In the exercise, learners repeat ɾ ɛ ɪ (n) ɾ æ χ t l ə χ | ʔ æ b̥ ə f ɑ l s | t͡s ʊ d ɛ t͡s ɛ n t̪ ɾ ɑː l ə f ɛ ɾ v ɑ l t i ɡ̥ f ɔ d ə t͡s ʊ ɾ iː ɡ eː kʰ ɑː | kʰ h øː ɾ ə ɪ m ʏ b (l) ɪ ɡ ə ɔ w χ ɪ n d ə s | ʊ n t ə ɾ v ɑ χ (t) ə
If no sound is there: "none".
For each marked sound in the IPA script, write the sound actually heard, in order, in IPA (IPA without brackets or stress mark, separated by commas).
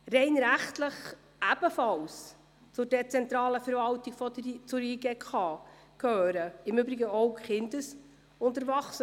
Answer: n, ɾ, s